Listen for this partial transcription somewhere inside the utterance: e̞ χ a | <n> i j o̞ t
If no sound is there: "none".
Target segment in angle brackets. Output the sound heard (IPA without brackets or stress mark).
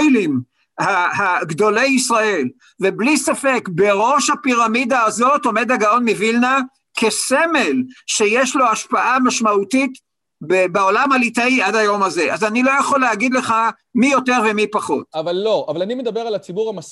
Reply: m